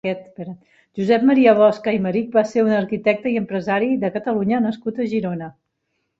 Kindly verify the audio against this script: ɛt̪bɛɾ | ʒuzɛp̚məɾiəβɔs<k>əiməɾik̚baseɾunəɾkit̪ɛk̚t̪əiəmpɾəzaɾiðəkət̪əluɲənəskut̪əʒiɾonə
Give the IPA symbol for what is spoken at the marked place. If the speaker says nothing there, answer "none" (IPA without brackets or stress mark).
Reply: k